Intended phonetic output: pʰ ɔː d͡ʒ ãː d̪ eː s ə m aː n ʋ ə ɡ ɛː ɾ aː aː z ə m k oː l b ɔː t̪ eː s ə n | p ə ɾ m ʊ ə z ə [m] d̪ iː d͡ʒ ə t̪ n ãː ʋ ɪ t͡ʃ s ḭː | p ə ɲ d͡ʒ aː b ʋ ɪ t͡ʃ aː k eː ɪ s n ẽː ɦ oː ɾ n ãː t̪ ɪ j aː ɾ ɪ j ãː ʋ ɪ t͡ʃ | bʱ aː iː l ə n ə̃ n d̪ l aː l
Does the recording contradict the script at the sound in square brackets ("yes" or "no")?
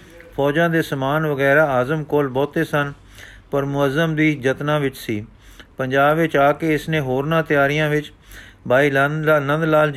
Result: no